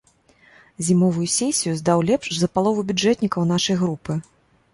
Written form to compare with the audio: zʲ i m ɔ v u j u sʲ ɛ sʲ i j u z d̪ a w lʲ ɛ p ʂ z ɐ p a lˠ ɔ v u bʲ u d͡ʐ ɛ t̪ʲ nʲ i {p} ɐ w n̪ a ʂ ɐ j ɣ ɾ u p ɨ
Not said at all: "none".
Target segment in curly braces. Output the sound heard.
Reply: k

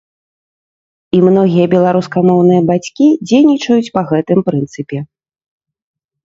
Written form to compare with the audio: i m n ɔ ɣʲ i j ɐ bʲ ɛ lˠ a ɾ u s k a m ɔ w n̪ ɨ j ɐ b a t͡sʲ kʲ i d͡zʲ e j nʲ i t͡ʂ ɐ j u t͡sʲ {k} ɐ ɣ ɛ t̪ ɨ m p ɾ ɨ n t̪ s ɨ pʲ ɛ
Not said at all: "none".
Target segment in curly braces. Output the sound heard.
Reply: p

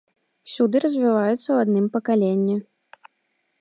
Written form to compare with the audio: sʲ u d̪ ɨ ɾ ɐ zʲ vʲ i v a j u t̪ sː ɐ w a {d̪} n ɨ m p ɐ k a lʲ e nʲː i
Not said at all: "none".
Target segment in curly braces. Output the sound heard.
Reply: d̪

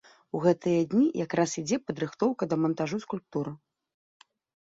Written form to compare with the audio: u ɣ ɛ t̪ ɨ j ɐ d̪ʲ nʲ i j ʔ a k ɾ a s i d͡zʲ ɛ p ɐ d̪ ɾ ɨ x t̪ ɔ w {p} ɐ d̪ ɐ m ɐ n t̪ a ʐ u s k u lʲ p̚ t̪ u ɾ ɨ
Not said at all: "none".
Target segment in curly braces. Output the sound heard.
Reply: k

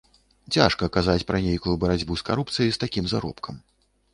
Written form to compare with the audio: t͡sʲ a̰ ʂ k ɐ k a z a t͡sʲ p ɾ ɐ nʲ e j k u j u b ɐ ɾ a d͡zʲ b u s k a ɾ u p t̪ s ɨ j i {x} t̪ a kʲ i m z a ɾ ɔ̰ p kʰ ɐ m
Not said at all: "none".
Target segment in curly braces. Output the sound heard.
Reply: s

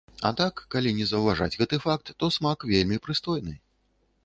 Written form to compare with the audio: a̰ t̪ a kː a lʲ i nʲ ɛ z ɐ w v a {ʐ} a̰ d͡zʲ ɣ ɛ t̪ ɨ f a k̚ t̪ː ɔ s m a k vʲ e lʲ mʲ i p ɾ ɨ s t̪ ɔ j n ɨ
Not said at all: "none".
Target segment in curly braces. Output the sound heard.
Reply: ʐ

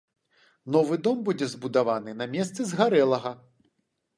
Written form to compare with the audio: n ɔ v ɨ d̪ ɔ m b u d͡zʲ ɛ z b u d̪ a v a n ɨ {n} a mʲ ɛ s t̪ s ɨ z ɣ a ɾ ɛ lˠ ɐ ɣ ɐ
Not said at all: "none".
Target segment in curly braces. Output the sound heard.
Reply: n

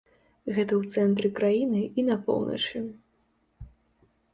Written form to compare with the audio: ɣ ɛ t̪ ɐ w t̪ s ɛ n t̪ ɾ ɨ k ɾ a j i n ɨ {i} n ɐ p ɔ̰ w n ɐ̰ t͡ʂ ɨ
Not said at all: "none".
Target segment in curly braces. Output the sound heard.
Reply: i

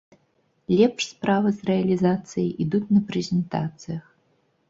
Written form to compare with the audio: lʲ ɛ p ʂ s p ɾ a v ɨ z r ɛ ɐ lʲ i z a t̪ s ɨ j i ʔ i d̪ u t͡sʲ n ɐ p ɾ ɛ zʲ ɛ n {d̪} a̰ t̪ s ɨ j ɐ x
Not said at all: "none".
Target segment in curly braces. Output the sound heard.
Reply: t̪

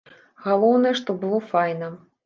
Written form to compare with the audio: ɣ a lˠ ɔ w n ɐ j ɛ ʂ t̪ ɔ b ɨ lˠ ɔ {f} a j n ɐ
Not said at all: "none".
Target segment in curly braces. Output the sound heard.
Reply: f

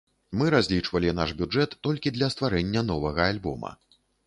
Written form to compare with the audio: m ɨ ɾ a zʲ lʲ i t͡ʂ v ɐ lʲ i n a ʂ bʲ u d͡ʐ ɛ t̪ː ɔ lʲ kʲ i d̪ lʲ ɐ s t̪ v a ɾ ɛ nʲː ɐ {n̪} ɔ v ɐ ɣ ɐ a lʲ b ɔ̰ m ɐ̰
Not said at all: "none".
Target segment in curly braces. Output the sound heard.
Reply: n̪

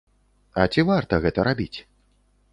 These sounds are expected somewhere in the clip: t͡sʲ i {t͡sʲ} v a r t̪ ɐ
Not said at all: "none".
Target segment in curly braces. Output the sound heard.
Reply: none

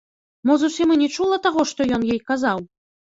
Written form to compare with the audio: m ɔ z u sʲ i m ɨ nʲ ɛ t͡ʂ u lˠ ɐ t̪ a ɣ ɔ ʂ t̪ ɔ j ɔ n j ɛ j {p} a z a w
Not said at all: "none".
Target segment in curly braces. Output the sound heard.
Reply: k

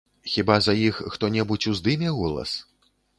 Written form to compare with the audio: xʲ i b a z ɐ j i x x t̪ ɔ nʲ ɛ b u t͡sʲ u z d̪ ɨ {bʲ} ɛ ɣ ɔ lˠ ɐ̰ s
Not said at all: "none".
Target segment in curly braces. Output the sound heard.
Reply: mʲ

